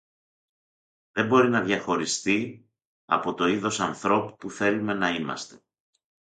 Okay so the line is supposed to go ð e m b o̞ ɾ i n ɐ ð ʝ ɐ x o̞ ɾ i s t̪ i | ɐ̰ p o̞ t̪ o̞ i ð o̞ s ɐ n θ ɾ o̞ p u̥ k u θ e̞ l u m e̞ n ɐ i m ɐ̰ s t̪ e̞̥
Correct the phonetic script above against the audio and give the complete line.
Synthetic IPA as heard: ð e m b o̞ ɾ i n ɐ ð ʝ ɐ x o̞ ɾ i s t̪ i | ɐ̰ p o̞ t̪ o̞ i ð o̞ s ɐ n θ ɾ o̞ p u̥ p u θ e̞ l u m e̞ n ɐ i m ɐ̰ s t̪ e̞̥